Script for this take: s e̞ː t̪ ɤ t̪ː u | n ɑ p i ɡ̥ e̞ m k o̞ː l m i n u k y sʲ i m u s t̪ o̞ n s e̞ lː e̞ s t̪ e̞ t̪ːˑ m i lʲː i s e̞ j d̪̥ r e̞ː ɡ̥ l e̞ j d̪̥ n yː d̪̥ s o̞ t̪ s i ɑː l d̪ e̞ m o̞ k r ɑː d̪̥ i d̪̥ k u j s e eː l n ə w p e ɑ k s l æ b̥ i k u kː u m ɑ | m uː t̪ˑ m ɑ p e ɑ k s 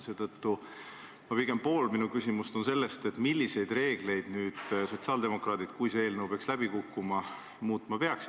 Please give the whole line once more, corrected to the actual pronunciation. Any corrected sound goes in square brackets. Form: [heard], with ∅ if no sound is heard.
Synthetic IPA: s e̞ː t̪ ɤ t̪ː u | [m] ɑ p i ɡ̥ e̞ m [p] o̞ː l m i n u k y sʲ i m u s t̪ o̞ n s e̞ lː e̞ s t̪ e̞ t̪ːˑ m i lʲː i s e̞ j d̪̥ r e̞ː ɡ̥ l e̞ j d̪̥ n yː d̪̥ s o̞ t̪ s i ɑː l d̪ e̞ m o̞ k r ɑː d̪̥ i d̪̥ k u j s e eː l n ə w p e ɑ k s l æ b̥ i k u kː u m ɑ | m uː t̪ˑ m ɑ p e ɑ k s